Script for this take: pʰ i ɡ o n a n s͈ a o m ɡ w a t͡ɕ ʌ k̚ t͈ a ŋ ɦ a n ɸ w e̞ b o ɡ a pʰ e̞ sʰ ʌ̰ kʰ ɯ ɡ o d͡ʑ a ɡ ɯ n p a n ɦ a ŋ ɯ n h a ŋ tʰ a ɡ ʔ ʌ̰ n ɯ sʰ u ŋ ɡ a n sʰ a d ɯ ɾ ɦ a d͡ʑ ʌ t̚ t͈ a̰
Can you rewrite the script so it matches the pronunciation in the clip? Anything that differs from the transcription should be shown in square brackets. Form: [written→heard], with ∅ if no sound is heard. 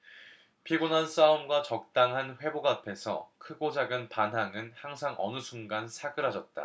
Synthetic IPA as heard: pʰ i ɡ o n a n s͈ a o m ɡ w a t͡ɕ ʌ k̚ t͈ a ŋ ɦ a n ɸ w e̞ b o ɡ a pʰ e̞ sʰ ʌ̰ kʰ ɯ ɡ o d͡ʑ a ɡ ɯ n p a n ɦ a ŋ ɯ n h a ŋ [tʰ→sʰ] a [ɡ→ŋ] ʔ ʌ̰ n ɯ sʰ u ŋ ɡ a n sʰ a [d→ɡ] ɯ ɾ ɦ a d͡ʑ ʌ t̚ t͈ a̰